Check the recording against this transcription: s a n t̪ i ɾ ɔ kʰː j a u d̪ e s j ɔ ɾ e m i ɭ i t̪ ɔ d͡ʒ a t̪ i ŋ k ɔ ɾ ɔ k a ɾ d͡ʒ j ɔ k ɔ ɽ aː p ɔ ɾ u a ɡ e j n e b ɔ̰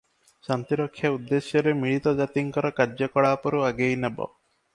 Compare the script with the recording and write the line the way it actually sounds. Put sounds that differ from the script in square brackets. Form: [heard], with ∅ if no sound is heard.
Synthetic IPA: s a n t̪ i ɾ ɔ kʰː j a u [d̪ː] e s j ɔ ɾ e m i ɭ i t̪ ɔ d͡ʒ a t̪ i ŋ k ɔ ɾ ɔ k a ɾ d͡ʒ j ɔ k ɔ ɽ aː p ɔ ɾ u a ɡ e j n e b ɔ̰